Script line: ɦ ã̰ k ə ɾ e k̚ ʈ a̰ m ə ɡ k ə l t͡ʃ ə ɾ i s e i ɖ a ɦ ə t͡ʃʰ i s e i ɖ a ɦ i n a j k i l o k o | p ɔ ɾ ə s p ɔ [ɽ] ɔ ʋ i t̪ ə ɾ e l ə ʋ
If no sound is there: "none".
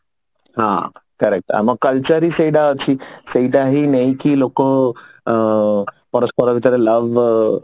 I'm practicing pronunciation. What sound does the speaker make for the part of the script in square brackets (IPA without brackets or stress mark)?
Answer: ɾ